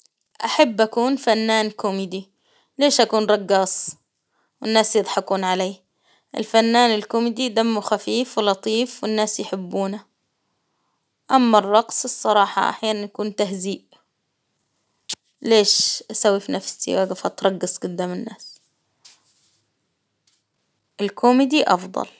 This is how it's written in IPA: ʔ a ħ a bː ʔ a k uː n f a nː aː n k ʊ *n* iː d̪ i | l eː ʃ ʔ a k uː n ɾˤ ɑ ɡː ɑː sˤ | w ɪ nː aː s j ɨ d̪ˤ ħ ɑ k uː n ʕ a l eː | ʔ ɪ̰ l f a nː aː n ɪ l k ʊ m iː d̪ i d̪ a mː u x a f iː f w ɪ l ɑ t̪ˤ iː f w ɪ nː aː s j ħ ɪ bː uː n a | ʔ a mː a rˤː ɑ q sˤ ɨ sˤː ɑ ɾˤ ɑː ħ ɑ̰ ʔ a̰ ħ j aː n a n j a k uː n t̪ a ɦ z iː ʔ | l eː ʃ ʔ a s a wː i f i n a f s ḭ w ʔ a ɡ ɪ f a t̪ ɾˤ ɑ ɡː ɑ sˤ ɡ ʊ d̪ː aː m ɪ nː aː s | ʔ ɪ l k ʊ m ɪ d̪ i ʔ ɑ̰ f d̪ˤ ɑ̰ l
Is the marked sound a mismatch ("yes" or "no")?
yes